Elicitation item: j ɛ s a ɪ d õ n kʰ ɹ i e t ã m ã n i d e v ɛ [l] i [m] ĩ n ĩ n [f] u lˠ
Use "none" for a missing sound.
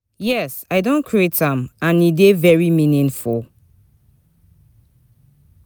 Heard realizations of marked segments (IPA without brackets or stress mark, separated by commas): ɹ, m, f